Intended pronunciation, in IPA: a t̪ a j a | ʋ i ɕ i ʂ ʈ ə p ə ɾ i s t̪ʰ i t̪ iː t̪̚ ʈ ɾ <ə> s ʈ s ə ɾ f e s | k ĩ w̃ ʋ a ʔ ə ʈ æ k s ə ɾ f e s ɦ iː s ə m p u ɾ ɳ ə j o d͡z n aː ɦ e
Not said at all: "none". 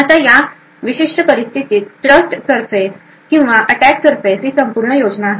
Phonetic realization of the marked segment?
ə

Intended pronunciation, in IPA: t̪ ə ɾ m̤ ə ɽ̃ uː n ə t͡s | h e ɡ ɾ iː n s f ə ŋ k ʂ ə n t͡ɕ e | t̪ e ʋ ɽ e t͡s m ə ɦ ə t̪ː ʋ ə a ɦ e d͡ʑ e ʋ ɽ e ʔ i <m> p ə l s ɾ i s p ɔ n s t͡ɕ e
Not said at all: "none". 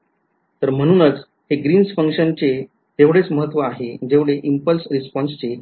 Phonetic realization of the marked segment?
m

